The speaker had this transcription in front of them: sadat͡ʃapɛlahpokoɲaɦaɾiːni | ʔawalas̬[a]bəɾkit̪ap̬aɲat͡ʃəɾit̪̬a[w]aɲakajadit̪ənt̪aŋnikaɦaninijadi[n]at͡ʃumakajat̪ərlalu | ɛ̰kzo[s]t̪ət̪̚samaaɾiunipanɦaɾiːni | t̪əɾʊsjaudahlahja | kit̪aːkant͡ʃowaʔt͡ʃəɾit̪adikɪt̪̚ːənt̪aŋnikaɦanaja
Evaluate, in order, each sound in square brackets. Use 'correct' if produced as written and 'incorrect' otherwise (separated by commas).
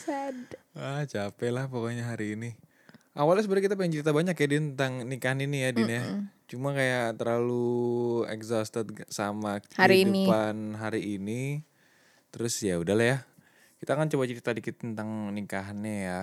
incorrect, incorrect, correct, correct